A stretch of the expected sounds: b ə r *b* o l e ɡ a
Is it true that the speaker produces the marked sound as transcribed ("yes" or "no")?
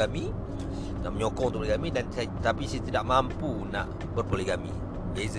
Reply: no